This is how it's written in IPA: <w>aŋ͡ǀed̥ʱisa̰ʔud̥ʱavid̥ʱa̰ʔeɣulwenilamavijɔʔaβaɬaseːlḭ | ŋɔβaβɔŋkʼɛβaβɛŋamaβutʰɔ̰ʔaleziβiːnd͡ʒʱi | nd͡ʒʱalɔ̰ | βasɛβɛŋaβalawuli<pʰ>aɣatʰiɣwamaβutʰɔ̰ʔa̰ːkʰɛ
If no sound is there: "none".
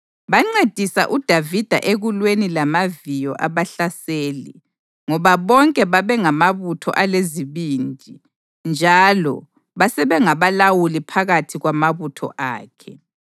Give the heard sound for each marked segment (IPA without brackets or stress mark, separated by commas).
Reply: β, pʰ